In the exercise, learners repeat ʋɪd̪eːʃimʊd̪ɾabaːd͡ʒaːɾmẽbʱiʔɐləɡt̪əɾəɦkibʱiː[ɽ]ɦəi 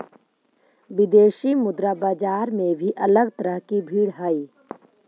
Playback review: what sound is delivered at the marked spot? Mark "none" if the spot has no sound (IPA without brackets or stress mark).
ɽ